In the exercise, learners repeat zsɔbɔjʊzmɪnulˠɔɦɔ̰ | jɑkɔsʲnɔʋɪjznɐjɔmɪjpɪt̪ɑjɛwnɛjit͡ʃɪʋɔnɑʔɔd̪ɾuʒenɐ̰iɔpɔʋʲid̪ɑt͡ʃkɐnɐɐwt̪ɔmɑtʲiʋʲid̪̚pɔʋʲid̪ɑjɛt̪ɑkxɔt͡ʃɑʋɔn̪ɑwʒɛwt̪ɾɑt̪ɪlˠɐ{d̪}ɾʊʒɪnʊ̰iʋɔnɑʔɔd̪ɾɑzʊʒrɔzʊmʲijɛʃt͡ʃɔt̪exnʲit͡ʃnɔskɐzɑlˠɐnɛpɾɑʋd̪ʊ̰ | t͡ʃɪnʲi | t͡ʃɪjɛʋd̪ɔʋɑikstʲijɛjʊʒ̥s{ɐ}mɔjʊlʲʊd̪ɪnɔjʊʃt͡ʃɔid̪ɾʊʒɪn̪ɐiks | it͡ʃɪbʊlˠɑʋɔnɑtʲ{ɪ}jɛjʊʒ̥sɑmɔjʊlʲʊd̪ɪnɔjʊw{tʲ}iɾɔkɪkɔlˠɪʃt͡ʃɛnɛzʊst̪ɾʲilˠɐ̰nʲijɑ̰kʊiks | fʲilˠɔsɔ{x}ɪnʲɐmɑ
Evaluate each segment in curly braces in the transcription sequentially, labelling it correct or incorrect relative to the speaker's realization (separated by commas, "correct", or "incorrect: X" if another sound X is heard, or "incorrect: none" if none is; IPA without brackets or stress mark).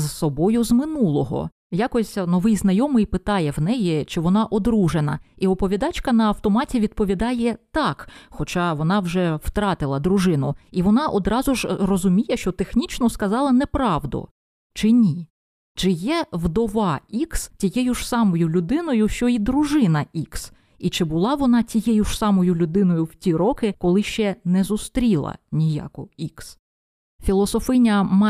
correct, incorrect: ɑ, incorrect: i, correct, incorrect: f